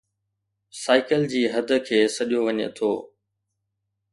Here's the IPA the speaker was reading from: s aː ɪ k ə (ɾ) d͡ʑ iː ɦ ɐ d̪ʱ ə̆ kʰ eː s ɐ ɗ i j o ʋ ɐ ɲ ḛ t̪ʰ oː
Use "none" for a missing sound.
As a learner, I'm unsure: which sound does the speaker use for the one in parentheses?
l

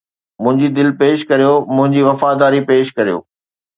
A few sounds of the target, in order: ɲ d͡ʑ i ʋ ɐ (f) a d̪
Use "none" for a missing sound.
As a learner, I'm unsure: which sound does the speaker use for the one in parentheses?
f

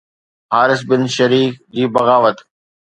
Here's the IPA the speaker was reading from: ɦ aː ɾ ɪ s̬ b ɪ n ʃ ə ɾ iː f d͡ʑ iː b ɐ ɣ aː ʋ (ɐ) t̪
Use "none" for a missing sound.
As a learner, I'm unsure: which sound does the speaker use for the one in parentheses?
ə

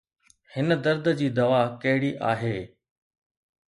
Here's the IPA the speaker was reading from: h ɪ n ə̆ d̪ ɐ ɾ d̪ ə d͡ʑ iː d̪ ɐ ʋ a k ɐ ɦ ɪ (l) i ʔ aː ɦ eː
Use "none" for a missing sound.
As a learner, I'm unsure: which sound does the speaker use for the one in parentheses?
ɽ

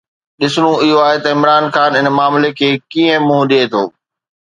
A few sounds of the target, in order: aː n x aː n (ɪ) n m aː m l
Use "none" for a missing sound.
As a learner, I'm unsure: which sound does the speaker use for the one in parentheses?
ɪ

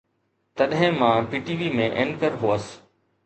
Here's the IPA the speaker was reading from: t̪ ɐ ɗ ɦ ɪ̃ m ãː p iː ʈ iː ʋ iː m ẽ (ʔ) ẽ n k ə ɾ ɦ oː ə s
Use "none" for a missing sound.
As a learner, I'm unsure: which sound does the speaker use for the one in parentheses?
ʔ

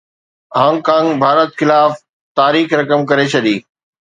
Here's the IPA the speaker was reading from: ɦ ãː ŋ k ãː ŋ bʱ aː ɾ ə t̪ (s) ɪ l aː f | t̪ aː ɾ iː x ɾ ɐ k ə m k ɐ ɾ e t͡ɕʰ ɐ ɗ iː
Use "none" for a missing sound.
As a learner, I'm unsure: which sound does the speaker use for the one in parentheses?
x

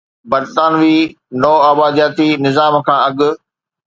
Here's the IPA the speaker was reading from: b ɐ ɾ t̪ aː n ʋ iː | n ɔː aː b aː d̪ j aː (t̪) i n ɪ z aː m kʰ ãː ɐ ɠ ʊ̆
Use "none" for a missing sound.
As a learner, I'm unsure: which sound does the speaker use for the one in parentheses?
t̪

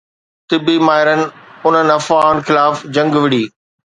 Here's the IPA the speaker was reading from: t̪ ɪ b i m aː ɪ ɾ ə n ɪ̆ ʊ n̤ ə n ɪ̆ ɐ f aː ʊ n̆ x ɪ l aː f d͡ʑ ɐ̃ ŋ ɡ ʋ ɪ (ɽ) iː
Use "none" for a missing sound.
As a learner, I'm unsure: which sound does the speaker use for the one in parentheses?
ɽ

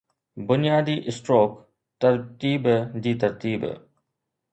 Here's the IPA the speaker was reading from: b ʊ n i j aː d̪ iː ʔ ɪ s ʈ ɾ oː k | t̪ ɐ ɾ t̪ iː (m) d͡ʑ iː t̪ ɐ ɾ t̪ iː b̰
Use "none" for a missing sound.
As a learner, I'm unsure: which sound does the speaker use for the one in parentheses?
b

